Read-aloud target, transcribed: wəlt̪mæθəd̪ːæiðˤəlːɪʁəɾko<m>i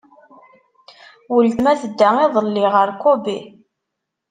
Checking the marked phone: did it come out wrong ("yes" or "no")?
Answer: yes